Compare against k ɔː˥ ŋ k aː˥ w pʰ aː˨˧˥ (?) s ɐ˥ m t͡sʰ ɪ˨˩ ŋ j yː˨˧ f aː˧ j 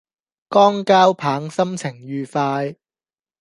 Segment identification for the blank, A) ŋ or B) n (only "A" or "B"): A